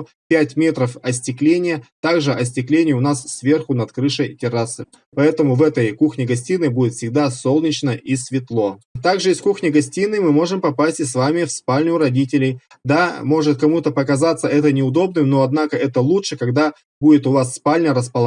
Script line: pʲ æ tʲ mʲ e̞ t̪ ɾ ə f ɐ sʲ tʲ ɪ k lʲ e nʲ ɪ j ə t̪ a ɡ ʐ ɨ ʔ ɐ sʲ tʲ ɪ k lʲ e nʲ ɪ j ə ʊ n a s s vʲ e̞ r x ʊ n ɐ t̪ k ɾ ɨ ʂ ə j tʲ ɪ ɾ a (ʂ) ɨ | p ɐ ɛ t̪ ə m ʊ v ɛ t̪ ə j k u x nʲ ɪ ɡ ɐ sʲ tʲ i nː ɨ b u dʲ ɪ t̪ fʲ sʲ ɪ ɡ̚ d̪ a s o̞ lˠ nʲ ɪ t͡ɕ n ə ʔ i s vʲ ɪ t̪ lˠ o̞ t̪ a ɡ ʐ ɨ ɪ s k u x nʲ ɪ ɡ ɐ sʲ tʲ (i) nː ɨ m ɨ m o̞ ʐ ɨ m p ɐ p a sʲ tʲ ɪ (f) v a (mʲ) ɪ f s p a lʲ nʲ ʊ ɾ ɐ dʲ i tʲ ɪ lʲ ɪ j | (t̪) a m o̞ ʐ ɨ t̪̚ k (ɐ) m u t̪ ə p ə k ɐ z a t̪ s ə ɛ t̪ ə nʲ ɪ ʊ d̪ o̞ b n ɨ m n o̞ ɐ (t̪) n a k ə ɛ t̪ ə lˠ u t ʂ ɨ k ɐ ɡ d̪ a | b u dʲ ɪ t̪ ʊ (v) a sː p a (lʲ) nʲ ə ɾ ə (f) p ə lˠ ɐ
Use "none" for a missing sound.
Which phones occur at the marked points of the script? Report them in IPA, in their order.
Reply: s, i, s, mʲ, d̪, ɐ, d̪, v, lʲ, s

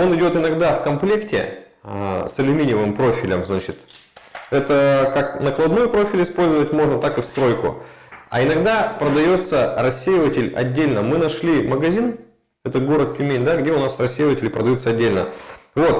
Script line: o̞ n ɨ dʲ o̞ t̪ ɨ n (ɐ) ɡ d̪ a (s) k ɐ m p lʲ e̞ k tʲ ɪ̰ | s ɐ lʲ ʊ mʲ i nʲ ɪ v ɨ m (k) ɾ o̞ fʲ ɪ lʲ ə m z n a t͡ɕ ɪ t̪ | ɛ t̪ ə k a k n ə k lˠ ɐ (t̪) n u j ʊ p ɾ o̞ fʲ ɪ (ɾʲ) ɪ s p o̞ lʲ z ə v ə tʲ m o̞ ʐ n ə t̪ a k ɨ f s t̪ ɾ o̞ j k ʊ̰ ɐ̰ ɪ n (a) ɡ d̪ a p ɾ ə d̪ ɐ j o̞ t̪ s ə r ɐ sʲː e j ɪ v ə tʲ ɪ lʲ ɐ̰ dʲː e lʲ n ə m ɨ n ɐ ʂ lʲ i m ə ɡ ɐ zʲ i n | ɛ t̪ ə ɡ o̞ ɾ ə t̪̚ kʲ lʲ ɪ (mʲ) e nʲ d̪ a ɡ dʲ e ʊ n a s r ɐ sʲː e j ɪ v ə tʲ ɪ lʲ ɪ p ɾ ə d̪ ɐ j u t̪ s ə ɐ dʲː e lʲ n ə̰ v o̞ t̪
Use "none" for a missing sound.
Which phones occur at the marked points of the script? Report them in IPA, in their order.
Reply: ɐ, f, p, d̪, lʲ, ɐ, mʲ

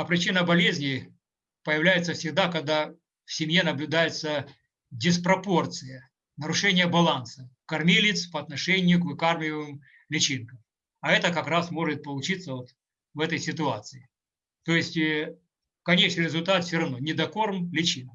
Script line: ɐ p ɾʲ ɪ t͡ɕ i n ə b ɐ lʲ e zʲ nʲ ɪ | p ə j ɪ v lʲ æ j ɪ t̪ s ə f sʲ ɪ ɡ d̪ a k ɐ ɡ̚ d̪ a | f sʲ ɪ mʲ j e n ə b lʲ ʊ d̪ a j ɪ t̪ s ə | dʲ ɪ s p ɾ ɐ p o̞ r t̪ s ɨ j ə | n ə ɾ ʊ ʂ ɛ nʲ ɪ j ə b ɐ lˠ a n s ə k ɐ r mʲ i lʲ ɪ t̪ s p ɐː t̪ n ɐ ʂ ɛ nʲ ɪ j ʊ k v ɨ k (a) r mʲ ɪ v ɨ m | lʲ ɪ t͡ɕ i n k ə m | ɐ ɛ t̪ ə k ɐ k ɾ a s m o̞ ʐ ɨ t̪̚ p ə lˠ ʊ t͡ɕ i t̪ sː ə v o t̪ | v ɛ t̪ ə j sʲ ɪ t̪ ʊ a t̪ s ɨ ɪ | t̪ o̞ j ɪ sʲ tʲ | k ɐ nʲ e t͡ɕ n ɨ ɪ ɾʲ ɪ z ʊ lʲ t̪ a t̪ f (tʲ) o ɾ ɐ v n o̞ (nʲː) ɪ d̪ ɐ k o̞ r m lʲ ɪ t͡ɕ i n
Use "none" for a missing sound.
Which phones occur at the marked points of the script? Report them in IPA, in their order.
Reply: a, sʲ, nʲ

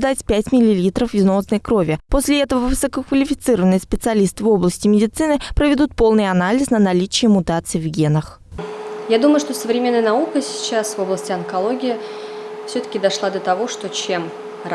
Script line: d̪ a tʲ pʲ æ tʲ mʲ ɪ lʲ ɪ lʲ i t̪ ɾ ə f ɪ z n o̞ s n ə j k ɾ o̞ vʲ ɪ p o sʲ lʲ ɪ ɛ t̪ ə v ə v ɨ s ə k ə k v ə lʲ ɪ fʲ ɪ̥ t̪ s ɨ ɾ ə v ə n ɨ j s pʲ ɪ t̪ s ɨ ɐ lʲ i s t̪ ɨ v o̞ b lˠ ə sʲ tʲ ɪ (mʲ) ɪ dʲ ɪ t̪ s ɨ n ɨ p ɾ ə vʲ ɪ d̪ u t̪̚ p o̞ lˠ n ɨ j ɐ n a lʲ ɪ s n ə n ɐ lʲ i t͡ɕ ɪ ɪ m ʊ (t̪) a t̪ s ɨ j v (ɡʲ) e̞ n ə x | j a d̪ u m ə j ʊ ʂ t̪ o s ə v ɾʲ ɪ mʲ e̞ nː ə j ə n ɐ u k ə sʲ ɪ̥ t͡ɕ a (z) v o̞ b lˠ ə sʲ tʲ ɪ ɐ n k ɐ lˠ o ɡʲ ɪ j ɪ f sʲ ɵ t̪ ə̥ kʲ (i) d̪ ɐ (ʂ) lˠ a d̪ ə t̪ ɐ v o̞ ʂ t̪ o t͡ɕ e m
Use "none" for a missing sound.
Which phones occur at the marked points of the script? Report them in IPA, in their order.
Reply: mʲ, t̪, ɡʲ, s, ɪ, ʂ

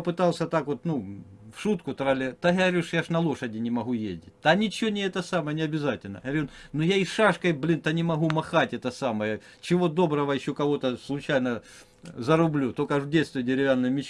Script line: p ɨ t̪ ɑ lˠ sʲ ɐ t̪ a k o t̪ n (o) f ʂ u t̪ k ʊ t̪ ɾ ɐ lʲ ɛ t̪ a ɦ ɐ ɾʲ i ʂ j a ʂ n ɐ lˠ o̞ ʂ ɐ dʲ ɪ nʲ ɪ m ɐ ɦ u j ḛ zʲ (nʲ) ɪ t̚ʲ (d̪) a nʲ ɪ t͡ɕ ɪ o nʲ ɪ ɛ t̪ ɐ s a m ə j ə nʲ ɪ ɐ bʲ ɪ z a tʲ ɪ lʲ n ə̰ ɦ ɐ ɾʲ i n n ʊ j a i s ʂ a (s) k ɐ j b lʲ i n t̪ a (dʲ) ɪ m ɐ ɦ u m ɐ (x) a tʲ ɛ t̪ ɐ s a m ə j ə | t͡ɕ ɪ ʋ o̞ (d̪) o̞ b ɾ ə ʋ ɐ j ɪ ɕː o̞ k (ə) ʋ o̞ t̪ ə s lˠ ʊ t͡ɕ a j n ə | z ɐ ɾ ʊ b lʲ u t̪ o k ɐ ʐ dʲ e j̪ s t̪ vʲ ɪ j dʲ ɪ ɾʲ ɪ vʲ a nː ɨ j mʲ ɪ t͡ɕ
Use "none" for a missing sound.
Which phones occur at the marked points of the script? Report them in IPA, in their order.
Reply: u, dʲ, t̪, ʂ, nʲ, x, d̪, ɐ

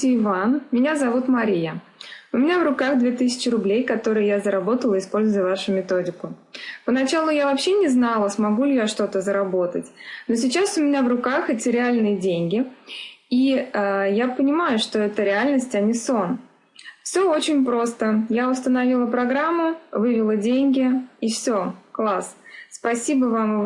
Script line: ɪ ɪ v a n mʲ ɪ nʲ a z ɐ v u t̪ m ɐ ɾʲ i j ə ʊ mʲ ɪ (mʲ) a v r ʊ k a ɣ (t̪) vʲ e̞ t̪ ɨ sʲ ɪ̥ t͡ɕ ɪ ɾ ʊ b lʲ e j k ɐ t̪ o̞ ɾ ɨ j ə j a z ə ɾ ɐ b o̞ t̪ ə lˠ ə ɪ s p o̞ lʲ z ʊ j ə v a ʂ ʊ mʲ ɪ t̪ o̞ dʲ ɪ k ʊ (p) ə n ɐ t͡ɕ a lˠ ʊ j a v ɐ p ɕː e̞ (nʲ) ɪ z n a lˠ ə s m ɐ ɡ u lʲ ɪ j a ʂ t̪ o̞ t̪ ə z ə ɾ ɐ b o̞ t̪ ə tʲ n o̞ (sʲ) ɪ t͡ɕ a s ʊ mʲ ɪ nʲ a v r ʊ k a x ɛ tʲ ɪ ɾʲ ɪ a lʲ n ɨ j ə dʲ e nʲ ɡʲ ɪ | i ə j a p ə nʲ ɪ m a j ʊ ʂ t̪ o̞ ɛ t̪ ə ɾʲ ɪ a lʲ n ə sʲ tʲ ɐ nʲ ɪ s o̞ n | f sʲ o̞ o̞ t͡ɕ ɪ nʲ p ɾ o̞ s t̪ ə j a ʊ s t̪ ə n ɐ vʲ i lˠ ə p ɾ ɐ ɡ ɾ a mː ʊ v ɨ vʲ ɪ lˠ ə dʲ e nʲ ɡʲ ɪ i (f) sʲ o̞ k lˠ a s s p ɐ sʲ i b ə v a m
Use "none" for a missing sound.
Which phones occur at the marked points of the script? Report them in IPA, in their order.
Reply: nʲ, d̪, p, nʲ, sʲ, f

